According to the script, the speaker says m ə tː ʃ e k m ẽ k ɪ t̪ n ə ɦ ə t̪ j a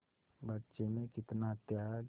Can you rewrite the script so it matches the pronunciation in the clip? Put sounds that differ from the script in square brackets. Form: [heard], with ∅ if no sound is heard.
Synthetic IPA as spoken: [b] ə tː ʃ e [∅] m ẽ k ɪ t̪ n [a] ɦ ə t̪ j a